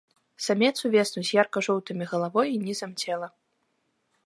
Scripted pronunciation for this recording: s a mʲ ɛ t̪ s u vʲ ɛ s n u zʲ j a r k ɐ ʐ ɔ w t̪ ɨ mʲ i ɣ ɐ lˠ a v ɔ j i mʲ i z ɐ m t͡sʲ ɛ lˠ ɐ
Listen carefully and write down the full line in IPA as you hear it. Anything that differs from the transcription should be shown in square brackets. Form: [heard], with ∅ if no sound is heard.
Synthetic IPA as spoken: s a mʲ ɛ t̪ s u vʲ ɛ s n u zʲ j a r k ɐ ʐ ɔ w t̪ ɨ mʲ i ɣ ɐ lˠ a v ɔ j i [nʲ] i z ɐ m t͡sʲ ɛ lˠ ɐ

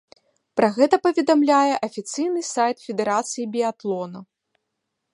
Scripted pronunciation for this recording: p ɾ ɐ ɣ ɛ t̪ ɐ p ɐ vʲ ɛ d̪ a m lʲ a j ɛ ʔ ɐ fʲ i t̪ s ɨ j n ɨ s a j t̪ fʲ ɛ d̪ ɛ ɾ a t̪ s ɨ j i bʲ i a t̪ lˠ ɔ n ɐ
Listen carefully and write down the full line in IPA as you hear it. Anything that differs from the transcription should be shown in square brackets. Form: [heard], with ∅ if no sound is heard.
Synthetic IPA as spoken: p ɾ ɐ ɣ ɛ t̪ ɐ p ɐ vʲ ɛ d̪ a m lʲ a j ɛ ʔ ɐ fʲ i t̪ s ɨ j n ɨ s a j t̪ fʲ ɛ d̪ ɛ ɾ a t̪ s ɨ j i bʲ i a t̪ lˠ ɔ n ɐ

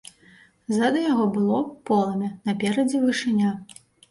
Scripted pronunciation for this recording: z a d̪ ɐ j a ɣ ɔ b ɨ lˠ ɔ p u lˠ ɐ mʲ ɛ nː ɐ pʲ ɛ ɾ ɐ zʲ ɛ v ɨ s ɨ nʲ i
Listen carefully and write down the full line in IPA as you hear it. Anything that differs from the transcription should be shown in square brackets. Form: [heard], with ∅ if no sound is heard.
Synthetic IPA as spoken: z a d̪ ɐ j a ɣ ɔ b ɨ lˠ ɔ p [ɔ] lˠ ɐ mʲ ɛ [n] ɐ pʲ ɛ ɾ ɐ [d͡zʲ] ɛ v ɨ [ʂ] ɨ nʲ [a]

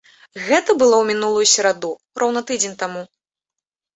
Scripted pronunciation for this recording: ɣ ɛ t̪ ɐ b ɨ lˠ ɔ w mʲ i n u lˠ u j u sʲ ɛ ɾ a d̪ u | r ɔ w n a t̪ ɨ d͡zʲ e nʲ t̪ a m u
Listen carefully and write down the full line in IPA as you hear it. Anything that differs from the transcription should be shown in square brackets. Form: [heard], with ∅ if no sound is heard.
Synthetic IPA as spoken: ɣ ɛ t̪ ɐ b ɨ lˠ ɔ w mʲ i n u lˠ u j u sʲ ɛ ɾ a d̪ u | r ɔ w n [ɐ] t̪ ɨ d͡zʲ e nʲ t̪ a m u

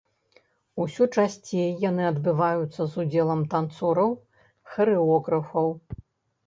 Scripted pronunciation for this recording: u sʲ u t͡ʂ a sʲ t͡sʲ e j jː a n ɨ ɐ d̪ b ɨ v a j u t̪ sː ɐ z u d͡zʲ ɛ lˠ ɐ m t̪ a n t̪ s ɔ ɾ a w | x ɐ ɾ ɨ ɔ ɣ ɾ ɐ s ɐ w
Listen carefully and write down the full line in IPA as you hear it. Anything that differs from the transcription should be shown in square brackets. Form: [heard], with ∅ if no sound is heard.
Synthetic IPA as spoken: u sʲ u t͡ʂ a sʲ t͡sʲ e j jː a n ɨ ɐ d̪ b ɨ v a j u t̪ sː ɐ z u d͡zʲ ɛ lˠ ɐ m t̪ a n t̪ s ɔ ɾ [ɐ] w | x ɐ ɾ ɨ ɔ ɣ ɾ ɐ [f] ɐ w

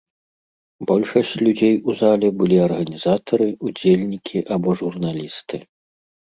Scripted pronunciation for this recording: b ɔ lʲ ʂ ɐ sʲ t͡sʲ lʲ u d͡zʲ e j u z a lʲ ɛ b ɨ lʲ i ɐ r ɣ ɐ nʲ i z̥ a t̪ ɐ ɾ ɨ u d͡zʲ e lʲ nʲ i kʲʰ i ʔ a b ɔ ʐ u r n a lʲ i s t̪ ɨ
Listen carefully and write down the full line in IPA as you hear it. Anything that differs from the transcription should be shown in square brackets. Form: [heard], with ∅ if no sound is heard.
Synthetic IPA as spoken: b ɔ lʲ ʂ ɐ sʲ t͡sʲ lʲ u d͡zʲ e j u z a lʲ ɛ b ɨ lʲ i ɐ r ɣ ɐ nʲ i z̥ a t̪ ɐ ɾ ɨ u d͡zʲ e lʲ nʲ i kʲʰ i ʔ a b ɔ ʐ u r n a lʲ i s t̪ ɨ

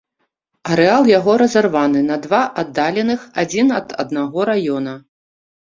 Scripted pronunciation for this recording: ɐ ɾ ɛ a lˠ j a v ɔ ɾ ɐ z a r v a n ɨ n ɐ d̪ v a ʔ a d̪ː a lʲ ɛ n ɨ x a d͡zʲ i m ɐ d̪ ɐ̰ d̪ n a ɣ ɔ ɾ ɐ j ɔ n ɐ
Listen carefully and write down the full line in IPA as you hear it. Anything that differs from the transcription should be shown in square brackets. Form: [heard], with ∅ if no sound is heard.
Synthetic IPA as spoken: ɐ ɾ ɛ a lˠ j a [ɣ] ɔ ɾ ɐ z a r v a n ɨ n ɐ d̪ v a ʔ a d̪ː a lʲ ɛ n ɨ x a d͡zʲ i [n] ɐ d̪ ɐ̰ d̪ n a ɣ ɔ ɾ [a] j ɔ n ɐ

